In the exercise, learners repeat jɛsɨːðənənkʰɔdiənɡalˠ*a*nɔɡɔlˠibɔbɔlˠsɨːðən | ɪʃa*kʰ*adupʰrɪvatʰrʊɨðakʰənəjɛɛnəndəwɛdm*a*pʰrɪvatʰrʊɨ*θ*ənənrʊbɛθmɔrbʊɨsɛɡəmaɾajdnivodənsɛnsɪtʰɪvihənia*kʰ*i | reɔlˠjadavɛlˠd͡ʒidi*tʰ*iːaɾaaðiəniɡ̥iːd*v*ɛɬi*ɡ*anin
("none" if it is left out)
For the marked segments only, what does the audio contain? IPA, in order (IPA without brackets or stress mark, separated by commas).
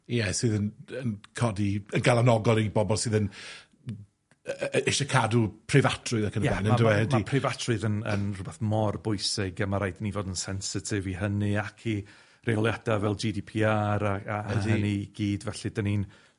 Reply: a, kʰ, i, ð, kʰ, pʰ, v, d